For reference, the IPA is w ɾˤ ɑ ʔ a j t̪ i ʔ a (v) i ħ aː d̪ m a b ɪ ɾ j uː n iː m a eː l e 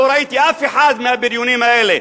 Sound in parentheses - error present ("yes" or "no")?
yes